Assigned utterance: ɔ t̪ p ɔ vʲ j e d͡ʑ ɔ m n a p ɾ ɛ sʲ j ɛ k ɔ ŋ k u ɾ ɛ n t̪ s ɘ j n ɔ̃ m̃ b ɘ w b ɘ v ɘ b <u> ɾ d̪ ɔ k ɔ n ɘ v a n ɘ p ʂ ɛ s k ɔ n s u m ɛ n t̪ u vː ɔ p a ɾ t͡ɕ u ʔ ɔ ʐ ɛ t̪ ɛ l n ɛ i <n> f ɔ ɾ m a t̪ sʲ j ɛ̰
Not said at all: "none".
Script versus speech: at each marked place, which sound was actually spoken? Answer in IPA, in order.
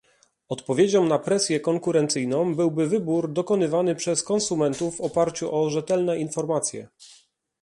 u, n

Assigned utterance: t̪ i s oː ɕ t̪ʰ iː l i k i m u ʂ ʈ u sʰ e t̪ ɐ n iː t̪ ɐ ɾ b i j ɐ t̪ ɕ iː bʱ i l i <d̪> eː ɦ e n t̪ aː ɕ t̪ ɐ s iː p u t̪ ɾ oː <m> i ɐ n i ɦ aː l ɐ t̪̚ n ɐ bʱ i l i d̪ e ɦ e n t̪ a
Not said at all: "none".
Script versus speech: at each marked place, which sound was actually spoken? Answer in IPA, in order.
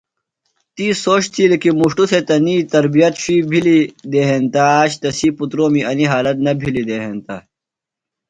d̪, m

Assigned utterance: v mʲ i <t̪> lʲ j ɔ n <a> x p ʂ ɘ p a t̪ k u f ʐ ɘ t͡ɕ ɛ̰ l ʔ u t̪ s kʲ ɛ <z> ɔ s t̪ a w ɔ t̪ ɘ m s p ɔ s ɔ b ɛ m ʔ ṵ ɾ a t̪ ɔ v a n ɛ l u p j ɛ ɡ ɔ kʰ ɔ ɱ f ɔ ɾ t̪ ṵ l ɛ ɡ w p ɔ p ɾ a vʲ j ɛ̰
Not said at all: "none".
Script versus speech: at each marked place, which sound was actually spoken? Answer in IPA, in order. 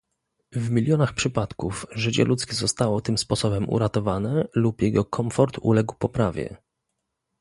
none, a, z

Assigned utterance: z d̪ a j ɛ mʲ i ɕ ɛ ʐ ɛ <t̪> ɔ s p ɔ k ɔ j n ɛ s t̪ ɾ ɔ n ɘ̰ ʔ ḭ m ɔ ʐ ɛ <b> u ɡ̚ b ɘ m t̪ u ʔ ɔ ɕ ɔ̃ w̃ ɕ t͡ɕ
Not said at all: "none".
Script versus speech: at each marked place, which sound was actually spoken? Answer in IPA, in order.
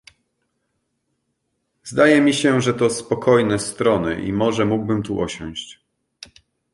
t̪, m

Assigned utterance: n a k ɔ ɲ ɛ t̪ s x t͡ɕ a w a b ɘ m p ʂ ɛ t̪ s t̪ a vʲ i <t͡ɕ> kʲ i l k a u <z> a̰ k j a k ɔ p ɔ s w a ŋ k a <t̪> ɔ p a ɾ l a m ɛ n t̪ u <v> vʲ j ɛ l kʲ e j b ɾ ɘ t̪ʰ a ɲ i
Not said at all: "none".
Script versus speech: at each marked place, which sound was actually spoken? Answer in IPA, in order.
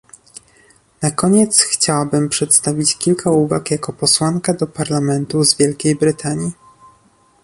t͡ɕ, v, d̪, z

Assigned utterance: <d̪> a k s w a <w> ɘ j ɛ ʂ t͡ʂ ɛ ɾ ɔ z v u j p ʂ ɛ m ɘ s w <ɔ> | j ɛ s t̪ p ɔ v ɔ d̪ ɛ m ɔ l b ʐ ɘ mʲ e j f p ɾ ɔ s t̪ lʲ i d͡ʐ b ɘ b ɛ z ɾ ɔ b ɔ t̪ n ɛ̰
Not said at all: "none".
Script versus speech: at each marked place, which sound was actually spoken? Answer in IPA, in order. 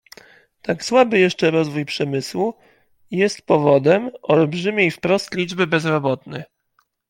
t̪, b, u

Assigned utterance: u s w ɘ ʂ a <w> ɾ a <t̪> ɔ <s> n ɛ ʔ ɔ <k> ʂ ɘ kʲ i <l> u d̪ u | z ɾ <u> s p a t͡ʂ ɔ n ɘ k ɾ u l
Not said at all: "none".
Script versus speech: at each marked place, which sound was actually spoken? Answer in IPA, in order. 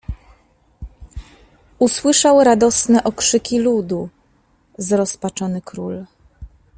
w, d̪, s, k, l, ɔ

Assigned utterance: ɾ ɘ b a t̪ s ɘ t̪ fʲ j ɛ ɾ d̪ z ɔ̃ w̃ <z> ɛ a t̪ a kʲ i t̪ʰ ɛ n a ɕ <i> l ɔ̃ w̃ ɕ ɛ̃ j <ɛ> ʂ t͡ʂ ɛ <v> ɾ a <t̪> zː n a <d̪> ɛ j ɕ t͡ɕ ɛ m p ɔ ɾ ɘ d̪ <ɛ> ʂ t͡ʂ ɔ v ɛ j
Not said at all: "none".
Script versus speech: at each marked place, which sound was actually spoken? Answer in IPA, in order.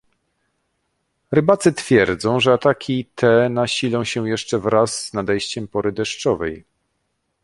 ʐ, i, ɛ, v, none, d̪, ɛ

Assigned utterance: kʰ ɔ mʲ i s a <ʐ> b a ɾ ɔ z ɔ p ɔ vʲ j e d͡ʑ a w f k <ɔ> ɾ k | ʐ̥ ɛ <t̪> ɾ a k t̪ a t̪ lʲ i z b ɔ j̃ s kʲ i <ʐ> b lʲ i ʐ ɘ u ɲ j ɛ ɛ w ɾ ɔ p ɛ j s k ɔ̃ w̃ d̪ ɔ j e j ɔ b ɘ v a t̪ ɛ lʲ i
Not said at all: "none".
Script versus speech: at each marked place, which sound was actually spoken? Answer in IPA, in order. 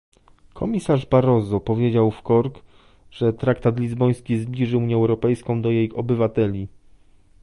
ʐ, ɔ, t̪, z

